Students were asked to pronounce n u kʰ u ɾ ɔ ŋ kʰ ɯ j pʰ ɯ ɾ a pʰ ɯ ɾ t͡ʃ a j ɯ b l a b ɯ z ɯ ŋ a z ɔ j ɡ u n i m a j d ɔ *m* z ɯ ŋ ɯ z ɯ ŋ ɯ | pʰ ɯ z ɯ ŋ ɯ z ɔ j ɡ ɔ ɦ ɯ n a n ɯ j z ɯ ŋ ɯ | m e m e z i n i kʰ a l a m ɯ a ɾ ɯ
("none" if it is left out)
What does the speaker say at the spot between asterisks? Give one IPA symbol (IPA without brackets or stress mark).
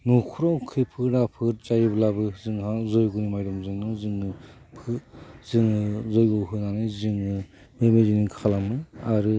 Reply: m